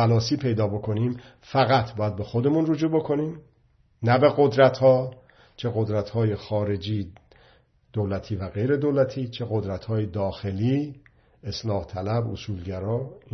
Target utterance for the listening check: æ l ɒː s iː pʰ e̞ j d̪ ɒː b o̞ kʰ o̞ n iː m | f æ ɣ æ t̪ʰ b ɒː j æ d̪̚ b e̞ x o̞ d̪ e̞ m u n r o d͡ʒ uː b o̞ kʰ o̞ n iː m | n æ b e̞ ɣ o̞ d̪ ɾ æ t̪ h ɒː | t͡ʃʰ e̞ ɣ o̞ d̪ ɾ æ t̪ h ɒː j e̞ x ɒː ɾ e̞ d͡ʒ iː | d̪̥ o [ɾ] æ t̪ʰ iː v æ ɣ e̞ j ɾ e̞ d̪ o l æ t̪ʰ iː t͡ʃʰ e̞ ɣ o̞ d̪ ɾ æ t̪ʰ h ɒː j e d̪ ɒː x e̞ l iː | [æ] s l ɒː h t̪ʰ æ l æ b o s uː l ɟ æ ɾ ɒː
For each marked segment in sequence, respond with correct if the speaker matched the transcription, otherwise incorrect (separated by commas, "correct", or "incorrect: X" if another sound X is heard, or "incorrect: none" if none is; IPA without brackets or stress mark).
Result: incorrect: l, incorrect: e